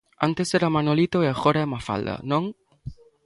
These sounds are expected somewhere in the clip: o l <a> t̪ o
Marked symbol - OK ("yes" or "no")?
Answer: no